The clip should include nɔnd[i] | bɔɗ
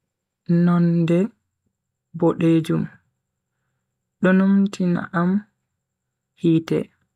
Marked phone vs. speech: incorrect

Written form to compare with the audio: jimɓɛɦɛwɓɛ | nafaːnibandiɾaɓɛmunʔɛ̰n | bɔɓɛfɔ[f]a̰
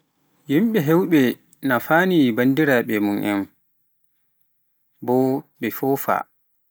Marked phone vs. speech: correct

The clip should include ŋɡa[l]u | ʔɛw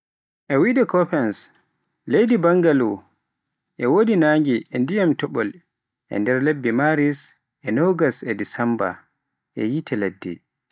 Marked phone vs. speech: correct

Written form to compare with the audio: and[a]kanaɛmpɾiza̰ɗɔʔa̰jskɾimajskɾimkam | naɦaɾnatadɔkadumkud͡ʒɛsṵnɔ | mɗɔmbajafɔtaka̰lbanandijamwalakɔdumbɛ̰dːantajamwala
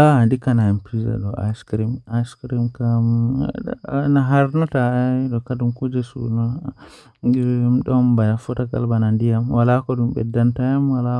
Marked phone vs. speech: incorrect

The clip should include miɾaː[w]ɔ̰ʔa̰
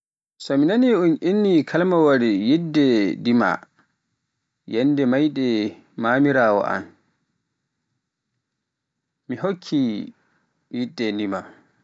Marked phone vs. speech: correct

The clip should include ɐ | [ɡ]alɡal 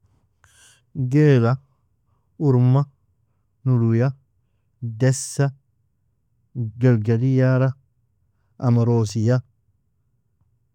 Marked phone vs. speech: correct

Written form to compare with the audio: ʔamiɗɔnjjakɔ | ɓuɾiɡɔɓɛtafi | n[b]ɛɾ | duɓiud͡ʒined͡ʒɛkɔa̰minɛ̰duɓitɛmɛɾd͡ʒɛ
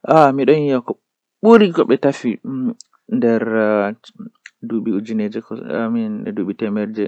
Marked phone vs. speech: incorrect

